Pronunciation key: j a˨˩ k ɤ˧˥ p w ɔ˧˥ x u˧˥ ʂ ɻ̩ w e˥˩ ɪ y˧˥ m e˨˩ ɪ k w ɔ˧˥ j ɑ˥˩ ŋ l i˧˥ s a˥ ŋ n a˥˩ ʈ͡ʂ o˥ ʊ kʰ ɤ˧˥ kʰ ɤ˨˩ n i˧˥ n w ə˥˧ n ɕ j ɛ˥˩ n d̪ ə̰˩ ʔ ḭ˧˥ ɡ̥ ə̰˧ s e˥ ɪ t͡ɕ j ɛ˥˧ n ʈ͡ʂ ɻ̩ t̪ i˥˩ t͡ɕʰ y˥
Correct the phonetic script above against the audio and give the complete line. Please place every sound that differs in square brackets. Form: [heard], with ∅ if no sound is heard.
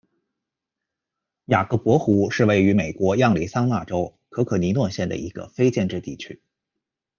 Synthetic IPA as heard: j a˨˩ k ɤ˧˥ p w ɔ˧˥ x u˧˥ ʂ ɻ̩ w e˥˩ ɪ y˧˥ m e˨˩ ɪ k w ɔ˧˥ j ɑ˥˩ ŋ l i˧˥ s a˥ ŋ n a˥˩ ʈ͡ʂ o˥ ʊ kʰ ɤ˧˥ kʰ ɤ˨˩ n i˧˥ n w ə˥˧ n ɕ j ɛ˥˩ n d̪ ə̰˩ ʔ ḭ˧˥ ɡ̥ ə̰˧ [f] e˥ ɪ t͡ɕ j ɛ˥˧ n ʈ͡ʂ ɻ̩ t̪ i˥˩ t͡ɕʰ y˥